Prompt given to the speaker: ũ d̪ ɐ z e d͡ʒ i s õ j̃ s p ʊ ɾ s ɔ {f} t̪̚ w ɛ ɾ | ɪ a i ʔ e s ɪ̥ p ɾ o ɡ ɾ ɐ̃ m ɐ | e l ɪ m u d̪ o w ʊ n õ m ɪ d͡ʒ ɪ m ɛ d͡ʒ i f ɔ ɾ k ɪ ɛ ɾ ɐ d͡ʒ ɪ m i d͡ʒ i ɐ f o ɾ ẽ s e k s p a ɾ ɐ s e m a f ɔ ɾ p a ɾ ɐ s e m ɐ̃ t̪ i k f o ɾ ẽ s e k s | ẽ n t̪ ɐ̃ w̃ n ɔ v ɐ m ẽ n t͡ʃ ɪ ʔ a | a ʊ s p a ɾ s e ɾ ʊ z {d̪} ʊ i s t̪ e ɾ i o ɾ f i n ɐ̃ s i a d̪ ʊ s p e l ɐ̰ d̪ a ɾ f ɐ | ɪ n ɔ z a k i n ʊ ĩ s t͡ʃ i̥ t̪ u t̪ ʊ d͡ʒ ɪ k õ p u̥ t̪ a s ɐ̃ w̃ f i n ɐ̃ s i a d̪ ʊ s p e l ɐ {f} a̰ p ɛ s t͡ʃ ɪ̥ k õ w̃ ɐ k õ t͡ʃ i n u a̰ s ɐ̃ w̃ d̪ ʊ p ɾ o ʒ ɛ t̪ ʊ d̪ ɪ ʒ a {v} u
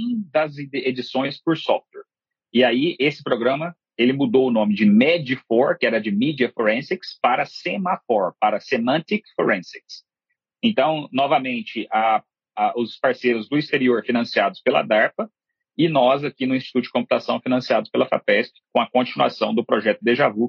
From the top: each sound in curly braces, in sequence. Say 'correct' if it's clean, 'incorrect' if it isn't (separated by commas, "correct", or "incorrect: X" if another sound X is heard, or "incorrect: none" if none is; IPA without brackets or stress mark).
correct, correct, correct, correct